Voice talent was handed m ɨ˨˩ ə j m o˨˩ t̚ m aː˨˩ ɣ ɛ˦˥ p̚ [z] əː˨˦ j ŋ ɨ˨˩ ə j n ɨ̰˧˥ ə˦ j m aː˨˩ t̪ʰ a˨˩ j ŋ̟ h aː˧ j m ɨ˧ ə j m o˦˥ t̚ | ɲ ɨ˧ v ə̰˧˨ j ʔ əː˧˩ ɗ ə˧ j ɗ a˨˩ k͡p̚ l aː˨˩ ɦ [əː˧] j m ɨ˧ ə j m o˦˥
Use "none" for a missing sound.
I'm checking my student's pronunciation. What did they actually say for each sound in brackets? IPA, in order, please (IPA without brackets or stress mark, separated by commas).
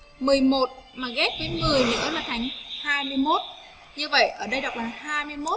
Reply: v, aː˧